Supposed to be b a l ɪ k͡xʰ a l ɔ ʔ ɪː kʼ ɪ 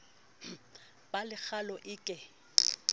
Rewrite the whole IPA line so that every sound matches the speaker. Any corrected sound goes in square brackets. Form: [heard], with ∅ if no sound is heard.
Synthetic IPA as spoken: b a l ɪ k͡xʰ a l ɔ ʔ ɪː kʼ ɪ